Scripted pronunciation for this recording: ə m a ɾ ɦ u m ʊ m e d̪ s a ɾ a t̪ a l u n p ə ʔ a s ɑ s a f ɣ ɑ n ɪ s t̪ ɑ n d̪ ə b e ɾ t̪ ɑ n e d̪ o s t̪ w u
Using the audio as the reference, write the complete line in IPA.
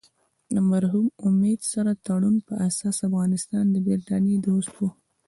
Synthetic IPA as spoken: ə m a ɾ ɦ u m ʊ m e d̪ s a ɾ a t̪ a ɽ u n p ə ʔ a s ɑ s a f ɣ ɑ n ɪ s t̪ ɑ n d̪ ə b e ɾ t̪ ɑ n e d̪ o s t̪ w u